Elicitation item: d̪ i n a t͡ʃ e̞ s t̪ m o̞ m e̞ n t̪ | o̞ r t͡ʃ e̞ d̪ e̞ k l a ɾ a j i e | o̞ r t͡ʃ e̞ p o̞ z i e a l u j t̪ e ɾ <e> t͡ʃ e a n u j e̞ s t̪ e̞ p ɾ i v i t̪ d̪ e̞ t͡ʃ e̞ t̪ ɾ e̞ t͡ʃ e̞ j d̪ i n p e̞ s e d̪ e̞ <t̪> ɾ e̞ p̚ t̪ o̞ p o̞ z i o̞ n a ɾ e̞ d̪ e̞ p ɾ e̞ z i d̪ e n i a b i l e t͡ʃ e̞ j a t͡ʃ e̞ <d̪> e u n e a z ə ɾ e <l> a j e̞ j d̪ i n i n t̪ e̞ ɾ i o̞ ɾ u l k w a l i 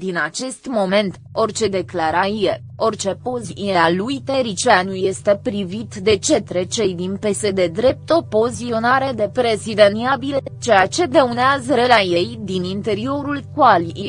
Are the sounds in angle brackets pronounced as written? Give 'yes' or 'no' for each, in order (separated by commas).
no, no, yes, yes